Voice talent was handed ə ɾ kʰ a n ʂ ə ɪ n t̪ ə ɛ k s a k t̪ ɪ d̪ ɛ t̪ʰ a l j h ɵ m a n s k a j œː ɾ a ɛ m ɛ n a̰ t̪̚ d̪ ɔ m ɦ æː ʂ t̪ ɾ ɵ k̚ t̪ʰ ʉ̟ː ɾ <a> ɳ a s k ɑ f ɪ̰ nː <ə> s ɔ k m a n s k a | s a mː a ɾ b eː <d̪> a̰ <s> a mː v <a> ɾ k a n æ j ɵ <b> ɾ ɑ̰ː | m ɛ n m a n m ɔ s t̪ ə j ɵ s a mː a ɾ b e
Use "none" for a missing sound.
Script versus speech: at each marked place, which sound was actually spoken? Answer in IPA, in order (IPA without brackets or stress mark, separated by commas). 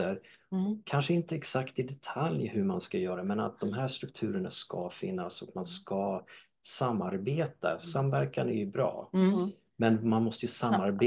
ə, a, t̪, s, æ, b